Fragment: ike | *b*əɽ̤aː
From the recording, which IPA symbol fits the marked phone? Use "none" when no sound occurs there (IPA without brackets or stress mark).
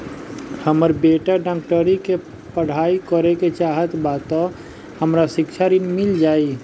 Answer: p